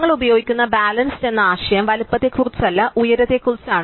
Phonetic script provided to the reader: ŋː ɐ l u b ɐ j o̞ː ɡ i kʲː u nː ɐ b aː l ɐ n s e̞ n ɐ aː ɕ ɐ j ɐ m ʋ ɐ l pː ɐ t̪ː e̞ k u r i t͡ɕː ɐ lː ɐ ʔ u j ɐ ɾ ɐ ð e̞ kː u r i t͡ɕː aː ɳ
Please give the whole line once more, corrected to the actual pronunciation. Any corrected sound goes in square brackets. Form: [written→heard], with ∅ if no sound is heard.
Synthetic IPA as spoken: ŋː ɐ [l→ɭ] u b ɐ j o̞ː ɡ i kʲː u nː ɐ b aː l ɐ n s e̞ [n→nː] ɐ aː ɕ ɐ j ɐ m ʋ ɐ l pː ɐ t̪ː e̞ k u r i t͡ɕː ɐ lː ɐ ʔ u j ɐ ɾ ɐ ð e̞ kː u r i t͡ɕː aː ɳ